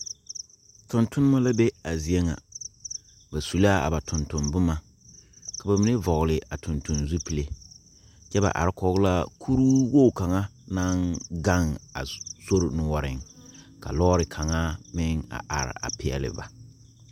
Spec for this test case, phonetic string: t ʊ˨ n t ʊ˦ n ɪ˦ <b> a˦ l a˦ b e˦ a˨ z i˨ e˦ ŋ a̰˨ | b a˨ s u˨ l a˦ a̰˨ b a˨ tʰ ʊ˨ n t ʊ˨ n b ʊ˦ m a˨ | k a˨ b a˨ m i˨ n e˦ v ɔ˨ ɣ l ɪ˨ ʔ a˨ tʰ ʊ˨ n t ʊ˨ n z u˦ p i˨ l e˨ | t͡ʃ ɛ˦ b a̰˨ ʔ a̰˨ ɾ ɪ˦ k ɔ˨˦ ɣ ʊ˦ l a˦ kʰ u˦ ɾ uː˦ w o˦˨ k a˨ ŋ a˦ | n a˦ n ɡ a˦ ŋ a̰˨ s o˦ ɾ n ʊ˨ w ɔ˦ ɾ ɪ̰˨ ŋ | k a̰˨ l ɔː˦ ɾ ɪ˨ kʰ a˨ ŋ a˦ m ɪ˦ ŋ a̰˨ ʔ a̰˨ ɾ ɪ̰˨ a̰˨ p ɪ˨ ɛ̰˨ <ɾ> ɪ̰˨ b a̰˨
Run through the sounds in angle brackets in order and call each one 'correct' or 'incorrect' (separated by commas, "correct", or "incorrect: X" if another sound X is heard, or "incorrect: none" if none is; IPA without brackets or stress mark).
incorrect: m, incorrect: l